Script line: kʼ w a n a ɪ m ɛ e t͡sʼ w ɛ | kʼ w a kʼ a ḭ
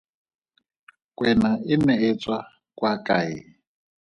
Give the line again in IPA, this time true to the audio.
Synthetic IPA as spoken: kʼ w ɛ n a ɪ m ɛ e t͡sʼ w a | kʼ w a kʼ a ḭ